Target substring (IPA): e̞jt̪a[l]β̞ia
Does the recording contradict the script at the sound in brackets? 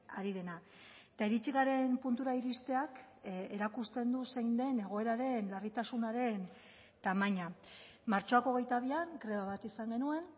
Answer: yes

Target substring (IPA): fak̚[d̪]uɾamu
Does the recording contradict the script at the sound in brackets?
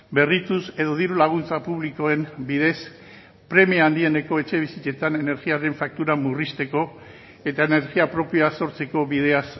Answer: yes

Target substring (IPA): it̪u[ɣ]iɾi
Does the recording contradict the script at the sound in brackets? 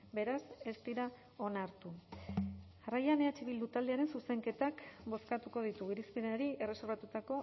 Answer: no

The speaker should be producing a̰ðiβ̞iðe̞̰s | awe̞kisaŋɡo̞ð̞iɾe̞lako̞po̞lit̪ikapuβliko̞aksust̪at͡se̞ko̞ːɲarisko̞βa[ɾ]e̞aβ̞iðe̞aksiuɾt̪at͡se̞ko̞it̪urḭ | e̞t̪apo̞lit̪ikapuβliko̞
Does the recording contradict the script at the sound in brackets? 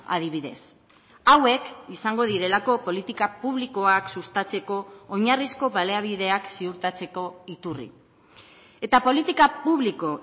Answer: yes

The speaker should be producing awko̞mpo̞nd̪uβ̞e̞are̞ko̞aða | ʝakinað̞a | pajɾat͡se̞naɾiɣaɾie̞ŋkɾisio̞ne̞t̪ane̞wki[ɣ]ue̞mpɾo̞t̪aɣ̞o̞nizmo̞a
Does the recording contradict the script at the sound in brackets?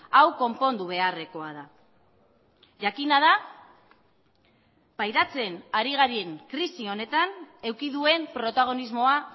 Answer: yes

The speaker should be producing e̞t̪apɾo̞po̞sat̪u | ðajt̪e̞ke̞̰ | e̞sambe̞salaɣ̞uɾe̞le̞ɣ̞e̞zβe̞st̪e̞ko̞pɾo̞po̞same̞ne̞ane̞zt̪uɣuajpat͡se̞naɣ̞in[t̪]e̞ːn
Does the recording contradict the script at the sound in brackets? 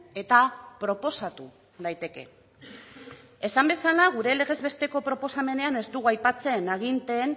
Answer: no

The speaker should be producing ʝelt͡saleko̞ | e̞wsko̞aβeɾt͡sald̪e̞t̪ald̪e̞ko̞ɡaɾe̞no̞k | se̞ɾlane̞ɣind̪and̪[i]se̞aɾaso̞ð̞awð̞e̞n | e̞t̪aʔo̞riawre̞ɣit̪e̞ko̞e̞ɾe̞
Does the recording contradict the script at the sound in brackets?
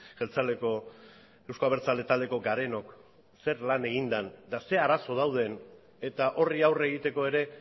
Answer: yes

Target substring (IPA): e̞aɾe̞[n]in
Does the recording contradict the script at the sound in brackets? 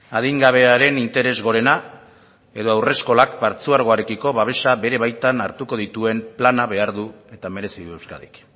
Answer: no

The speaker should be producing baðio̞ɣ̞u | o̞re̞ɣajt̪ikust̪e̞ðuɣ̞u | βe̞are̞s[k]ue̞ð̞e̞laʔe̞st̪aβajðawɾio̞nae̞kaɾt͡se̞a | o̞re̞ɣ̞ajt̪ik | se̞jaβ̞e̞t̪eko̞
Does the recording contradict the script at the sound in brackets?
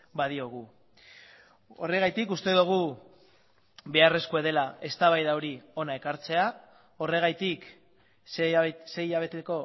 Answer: no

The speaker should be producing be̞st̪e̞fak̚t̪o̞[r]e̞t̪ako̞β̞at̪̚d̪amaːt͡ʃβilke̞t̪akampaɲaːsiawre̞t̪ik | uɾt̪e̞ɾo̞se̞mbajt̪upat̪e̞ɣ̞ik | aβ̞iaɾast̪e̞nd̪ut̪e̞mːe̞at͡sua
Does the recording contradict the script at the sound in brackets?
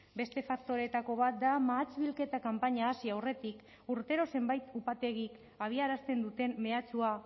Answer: yes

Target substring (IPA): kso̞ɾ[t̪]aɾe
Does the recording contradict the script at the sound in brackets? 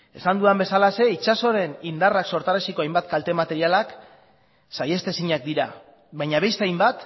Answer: no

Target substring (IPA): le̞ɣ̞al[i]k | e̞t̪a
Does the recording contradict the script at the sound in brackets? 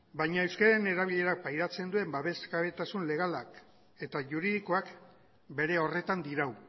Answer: yes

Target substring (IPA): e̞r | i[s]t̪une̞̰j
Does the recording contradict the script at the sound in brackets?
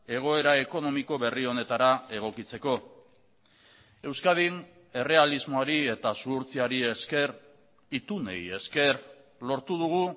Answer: yes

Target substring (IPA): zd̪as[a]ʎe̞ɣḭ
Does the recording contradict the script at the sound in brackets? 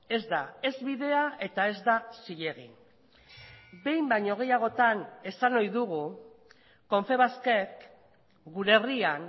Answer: yes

